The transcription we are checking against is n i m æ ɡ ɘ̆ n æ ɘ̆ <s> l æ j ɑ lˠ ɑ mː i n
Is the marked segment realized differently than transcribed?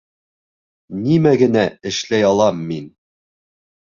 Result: yes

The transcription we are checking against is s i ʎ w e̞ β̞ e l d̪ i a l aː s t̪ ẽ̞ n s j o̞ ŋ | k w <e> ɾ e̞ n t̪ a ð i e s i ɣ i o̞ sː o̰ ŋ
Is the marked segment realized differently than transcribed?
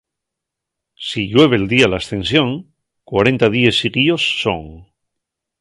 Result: yes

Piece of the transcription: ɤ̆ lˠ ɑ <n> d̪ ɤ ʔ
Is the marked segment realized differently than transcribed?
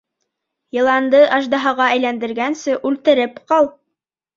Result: no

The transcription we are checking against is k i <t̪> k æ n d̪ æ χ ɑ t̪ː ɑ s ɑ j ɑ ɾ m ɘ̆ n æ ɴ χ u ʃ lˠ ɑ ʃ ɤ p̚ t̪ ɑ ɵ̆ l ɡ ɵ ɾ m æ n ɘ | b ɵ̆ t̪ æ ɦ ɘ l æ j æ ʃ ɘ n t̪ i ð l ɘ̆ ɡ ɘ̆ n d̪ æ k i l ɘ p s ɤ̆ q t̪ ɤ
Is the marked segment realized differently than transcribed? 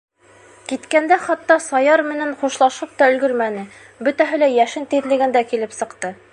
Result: no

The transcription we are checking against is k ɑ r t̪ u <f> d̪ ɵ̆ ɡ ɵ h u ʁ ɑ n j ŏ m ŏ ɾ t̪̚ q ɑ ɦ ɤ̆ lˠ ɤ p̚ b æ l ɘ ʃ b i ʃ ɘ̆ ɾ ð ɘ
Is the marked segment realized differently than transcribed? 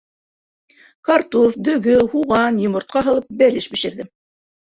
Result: no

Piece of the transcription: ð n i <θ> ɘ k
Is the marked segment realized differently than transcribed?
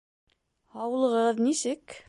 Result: yes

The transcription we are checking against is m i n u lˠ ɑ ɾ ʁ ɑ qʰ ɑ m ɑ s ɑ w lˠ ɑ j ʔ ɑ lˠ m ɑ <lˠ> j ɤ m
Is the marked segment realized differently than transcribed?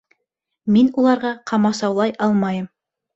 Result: yes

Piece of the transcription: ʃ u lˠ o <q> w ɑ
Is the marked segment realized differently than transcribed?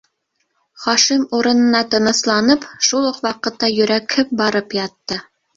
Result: no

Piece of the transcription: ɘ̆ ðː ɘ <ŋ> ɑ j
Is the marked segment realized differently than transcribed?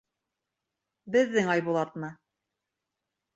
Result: no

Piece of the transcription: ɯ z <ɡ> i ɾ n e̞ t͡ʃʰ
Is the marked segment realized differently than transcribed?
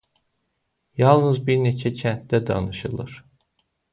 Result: yes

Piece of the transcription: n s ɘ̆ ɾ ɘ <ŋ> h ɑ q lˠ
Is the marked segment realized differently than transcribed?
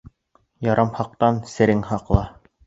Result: no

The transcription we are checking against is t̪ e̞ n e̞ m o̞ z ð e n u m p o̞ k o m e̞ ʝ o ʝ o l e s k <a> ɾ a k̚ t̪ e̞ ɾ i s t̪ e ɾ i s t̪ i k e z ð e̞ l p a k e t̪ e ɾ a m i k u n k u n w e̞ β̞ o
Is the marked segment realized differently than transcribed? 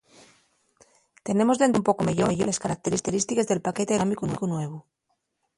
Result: no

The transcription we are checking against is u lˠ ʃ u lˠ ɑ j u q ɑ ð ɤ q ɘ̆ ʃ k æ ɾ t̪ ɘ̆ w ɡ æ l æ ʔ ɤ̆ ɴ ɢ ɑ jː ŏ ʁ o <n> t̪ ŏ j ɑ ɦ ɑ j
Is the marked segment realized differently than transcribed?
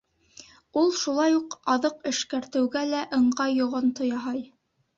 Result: no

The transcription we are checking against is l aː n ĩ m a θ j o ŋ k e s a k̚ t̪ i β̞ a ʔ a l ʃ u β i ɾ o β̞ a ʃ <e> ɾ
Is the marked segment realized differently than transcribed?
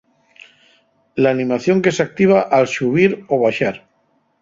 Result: yes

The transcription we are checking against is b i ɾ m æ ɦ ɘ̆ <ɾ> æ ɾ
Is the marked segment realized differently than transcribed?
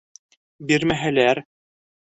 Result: yes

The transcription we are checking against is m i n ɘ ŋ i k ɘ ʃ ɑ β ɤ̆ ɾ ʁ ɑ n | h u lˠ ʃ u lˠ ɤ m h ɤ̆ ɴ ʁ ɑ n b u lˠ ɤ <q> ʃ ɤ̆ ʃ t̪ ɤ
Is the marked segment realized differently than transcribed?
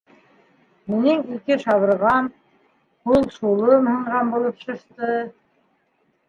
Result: yes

